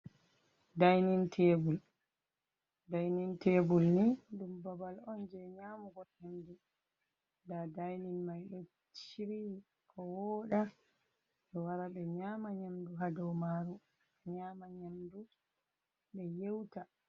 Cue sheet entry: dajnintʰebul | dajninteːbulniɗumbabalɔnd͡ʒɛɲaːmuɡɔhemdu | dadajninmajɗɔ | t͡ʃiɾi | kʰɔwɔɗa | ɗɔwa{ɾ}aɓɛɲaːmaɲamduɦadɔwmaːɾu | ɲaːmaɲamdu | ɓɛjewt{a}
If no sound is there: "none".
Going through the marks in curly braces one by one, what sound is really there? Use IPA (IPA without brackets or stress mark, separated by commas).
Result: ɾ, a